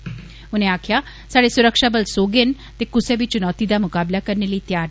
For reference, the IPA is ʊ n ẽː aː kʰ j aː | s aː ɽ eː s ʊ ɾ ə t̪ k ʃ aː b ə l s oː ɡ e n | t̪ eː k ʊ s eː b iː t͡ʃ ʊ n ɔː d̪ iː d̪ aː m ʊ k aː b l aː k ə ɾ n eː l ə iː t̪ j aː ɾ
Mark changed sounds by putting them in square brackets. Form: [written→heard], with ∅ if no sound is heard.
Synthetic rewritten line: ʊ n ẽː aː kʰ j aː | s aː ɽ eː s ʊ ɾ ə [t̪→∅] k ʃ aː b ə l s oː ɡ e n | t̪ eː k ʊ s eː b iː t͡ʃ ʊ n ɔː [d̪→t̪] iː d̪ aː m ʊ k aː b l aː k ə ɾ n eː l ə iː t̪ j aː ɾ